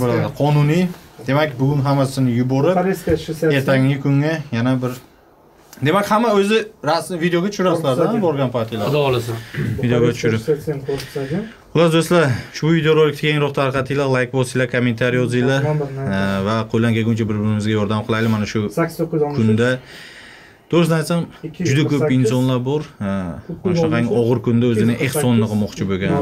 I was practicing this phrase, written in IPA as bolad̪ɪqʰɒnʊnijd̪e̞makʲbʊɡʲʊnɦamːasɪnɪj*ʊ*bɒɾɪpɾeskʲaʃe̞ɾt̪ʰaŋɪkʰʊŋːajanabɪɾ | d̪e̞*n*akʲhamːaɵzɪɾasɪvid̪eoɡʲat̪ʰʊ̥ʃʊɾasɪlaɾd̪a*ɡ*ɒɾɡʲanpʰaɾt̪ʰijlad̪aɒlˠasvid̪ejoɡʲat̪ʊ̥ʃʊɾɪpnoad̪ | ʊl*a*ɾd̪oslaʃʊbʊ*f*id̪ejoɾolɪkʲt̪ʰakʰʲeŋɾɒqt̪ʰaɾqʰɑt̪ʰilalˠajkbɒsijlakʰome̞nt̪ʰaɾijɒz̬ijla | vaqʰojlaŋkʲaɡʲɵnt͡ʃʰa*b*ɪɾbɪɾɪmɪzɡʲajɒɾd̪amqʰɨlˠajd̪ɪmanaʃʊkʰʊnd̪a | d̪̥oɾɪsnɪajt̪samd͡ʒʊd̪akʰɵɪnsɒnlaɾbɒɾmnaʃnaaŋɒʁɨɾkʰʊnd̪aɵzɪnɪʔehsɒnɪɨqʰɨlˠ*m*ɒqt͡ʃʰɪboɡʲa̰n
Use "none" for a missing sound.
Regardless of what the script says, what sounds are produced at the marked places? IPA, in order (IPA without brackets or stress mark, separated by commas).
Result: ʊ, m, b, a, v, b, m